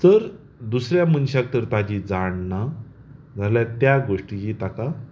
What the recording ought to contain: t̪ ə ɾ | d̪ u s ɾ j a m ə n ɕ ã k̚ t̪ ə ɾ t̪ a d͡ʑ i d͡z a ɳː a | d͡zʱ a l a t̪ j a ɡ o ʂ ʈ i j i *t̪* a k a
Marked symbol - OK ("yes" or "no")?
yes